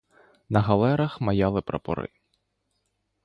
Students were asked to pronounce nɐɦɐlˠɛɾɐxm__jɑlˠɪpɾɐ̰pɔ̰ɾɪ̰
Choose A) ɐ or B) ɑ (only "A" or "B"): A